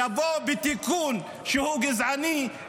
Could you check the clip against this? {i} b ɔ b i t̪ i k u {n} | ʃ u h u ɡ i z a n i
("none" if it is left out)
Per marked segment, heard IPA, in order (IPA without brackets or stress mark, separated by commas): a, n